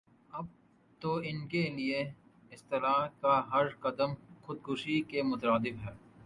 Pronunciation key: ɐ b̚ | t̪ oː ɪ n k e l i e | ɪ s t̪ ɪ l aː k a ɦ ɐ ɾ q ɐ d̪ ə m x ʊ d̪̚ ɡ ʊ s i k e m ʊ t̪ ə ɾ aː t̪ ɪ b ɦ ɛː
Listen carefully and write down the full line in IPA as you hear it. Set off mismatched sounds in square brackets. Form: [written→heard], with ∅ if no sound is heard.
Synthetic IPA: ɐ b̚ | t̪ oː ɪ n k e l i e | ɪ s t̪ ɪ l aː k a ɦ ɐ ɾ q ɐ d̪ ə m x ʊ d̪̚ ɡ ʊ [s→ʃ] i k e m ʊ t̪ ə ɾ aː [t̪→d̪] ɪ b ɦ ɛː